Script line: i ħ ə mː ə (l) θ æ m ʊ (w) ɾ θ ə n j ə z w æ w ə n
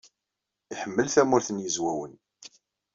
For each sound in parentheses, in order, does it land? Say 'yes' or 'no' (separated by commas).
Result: yes, no